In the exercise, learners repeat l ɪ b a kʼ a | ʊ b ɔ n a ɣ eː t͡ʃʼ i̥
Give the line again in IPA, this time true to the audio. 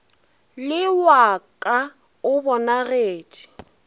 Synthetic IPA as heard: l ɪ w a kʼ a | ʊ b ɔ n a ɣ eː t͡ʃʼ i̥

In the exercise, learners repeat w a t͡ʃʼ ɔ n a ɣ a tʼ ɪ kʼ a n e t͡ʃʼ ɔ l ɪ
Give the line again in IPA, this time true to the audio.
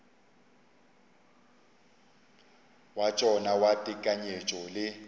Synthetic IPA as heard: w a t͡ʃʼ ɔ n a w a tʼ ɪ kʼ a ɲ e t͡ʃʼ ɔ l ɪ

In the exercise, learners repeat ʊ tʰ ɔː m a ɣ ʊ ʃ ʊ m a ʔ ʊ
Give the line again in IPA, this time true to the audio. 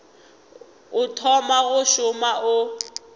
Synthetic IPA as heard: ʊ tʰ ɔ m a ɣ ʊ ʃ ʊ m a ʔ ʊ

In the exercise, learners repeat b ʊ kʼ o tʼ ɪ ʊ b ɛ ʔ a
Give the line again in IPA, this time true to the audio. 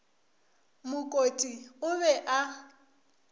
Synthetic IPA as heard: m ʊ kʼ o tʼ i ʊ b ɛ ʔ a

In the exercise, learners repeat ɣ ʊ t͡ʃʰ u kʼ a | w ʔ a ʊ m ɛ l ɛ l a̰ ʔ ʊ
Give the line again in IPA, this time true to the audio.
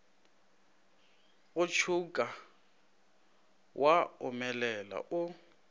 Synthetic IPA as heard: ɣ ʊ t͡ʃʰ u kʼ a | w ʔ a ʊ m ɛ l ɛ l a̰ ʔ ʊ

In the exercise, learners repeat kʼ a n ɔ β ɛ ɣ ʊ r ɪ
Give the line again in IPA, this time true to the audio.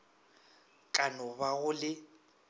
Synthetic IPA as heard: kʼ a n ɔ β a ɣ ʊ l ɪ

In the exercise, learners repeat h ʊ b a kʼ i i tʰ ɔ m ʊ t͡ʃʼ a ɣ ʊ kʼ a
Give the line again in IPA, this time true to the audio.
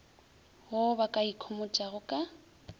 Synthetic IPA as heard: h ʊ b a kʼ a i kʰ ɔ m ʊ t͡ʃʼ a ɣ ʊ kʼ a

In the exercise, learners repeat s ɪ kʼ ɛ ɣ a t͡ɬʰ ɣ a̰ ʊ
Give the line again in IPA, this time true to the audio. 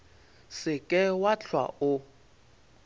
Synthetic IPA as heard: s ɪ kʼ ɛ w a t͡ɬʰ w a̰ ʊ

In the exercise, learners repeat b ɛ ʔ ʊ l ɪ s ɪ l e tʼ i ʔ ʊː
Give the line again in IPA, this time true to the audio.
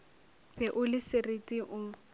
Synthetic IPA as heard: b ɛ ʔ ʊ l ɪ s ɪ r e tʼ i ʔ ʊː

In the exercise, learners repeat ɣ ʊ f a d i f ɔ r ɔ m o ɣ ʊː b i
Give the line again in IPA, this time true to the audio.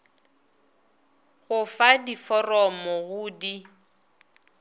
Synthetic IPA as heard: ɣ ʊ f a d i f ɔ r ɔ m ɔ ɣ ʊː d i

